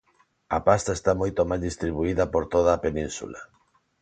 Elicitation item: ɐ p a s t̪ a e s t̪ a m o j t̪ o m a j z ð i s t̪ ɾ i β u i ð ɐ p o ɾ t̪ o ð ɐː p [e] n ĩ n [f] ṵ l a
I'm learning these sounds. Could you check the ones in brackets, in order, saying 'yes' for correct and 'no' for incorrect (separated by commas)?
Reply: yes, no